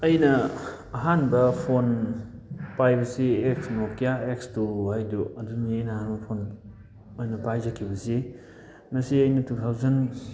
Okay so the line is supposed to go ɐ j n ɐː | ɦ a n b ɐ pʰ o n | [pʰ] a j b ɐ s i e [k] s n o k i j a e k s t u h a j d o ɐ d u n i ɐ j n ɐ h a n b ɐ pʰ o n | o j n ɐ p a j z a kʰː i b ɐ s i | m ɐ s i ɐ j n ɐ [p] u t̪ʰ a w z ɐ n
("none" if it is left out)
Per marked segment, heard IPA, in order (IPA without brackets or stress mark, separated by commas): p, k, t